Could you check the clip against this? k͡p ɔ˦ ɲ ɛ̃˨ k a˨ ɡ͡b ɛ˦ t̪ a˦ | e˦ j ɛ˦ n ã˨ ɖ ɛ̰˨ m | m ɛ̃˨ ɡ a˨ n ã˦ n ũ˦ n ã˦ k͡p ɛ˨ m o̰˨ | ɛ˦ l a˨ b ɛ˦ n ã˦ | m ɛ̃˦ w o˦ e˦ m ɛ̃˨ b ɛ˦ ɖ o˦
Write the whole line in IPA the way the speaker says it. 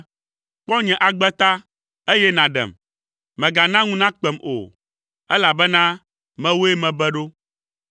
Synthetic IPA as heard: k͡p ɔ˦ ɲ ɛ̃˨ ʔ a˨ ɡ͡b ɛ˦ t̪ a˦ | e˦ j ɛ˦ n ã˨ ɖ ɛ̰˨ m | m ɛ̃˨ ɡ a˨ n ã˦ ŋ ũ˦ n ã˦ k͡p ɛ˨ m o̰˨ | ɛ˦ l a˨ b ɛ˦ n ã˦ | m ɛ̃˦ w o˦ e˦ m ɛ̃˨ b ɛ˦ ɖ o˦